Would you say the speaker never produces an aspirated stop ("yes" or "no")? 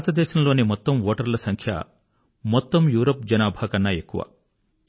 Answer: no